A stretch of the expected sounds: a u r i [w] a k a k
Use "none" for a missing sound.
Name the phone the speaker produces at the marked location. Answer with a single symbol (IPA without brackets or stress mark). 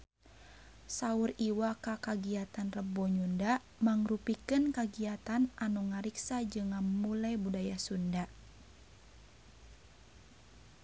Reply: w